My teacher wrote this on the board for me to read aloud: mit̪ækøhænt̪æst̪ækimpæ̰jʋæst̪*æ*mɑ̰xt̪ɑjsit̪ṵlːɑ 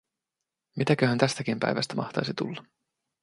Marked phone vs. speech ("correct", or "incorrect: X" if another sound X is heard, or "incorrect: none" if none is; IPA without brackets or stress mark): correct